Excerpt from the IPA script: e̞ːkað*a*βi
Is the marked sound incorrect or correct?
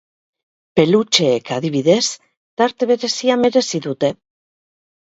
incorrect